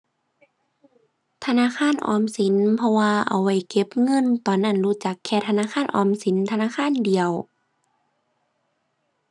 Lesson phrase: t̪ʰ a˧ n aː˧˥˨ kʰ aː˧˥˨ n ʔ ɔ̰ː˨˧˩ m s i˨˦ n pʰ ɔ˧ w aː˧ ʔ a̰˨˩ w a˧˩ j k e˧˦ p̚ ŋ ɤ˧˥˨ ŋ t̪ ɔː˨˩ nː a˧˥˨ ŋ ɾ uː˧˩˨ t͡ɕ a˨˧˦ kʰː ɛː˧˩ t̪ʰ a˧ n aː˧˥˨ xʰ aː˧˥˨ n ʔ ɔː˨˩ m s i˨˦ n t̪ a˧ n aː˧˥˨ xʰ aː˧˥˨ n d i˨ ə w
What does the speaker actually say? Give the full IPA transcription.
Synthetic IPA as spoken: t̪ʰ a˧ n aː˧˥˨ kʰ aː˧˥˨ n ʔ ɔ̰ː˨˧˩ m s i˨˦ n pʰ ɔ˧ w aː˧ ʔ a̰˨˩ w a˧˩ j k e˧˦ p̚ ŋ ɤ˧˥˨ n t̪ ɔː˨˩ nː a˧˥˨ n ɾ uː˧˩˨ t͡ɕ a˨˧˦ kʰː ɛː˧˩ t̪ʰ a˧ n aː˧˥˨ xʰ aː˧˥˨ n ʔ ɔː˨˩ m s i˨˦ n t̪ʰ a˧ n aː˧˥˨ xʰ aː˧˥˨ n d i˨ ə w